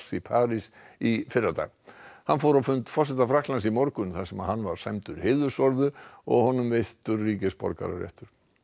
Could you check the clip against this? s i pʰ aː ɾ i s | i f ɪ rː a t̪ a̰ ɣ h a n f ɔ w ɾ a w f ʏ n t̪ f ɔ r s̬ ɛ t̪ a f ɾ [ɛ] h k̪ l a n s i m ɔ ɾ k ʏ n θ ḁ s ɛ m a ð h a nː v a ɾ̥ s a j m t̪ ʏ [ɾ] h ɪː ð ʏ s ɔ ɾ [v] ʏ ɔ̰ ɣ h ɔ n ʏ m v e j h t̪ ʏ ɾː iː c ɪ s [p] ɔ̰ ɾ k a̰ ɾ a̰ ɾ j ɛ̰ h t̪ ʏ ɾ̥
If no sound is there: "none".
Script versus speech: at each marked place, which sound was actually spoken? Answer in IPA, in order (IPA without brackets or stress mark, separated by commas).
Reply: a, ɾ, ð, p